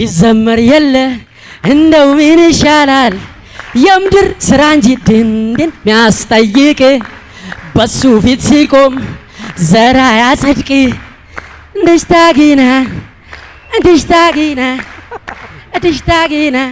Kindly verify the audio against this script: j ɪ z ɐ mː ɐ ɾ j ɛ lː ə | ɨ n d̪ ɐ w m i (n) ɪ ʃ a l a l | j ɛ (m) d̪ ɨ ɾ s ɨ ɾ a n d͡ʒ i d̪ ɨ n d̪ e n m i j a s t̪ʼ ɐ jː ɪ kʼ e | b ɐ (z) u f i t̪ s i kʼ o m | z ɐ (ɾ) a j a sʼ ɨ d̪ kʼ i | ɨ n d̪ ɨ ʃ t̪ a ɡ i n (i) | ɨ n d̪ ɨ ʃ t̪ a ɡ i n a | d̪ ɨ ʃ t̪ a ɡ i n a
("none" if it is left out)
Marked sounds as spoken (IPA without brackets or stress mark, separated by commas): n, m, s, ɾ, a